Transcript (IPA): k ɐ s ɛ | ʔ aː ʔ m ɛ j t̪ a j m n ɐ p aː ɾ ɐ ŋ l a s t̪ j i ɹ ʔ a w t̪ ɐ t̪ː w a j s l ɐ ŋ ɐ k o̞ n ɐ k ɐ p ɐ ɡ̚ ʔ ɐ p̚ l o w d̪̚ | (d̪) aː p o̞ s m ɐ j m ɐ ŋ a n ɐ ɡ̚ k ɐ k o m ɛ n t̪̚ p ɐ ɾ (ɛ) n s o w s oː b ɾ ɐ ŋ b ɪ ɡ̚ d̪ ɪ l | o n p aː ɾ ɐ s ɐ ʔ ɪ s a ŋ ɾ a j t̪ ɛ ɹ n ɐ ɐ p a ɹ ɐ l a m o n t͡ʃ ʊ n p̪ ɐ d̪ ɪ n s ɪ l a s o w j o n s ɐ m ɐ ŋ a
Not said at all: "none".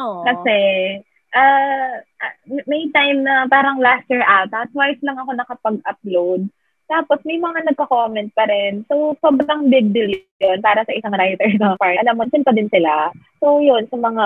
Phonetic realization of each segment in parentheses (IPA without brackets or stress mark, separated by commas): t̪, ɛ